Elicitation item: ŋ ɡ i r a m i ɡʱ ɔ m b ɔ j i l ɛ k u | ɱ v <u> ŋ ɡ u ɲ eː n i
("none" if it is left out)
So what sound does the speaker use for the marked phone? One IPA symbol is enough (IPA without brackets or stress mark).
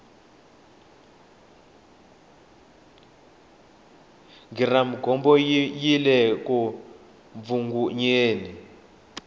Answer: u